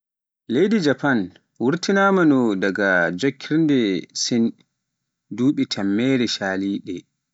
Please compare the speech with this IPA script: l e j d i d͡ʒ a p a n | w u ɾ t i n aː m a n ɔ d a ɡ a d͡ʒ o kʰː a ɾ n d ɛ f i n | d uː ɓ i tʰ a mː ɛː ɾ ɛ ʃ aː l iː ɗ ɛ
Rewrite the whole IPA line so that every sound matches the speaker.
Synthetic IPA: l e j d i d͡ʒ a p a n | w u ɾ t i n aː m a n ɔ d a ɡ a d͡ʒ o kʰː i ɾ n d ɛ s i n | d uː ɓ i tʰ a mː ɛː ɾ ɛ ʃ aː l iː ɗ ɛ